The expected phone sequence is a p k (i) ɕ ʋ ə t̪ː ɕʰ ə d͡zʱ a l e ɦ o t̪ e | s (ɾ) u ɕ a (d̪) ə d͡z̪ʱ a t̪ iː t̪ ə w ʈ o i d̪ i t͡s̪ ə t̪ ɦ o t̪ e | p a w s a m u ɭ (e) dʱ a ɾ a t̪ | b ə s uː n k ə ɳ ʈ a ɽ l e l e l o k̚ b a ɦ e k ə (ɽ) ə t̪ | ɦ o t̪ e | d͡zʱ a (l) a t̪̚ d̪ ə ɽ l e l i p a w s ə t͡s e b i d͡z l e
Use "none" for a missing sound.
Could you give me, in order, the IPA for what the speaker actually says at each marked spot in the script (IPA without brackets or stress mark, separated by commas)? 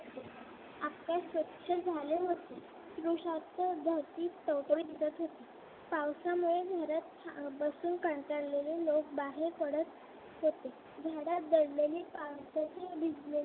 a, ɾ, t̪, e, ɽ, ɽ